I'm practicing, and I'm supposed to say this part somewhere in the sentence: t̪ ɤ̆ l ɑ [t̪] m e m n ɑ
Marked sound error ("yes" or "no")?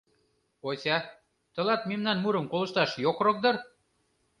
no